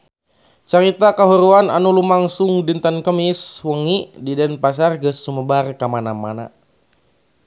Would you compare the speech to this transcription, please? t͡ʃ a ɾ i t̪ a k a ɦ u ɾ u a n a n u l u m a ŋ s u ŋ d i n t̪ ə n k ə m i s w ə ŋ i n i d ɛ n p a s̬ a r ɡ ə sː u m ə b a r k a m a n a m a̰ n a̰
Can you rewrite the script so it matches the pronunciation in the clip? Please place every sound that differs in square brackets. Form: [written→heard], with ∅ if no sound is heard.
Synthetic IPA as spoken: t͡ʃ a ɾ i t̪ a k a ɦ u ɾ u a n a n u l u m a ŋ s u ŋ d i n t̪ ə n k ə m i s w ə ŋ i [n→d] i d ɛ n p a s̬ a r ɡ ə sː u m ə b a r k a m a n a m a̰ n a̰